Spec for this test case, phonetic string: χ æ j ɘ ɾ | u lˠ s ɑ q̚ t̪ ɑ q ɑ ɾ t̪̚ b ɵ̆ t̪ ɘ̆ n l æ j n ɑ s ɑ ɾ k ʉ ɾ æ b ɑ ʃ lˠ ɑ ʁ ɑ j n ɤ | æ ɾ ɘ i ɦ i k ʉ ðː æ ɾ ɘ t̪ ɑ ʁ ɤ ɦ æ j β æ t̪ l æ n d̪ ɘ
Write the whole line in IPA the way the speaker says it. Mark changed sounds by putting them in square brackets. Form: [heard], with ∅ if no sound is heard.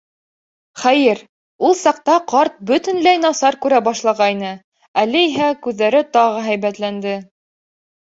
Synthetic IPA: χ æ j ɘ ɾ | u lˠ s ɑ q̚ t̪ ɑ q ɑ ɾ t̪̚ b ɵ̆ t̪ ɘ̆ n l æ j n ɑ s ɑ ɾ k ʉ ɾ æ b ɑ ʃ lˠ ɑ ʁ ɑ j n ɤ | æ [l] ɘ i ɦ [æ] k ʉ ðː æ ɾ ɘ t̪ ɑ ʁ ɤ ɦ æ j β æ t̪ l æ n d̪ ɘ